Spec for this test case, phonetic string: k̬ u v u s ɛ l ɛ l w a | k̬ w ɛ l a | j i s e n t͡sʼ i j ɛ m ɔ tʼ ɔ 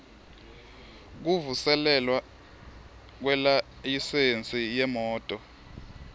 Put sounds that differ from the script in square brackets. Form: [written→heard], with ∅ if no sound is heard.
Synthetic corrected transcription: k̬ u v u s ɛ l ɛ l w a | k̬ w ɛ l a | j i s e n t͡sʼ i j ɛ m [ɔ→ɔː] tʼ ɔ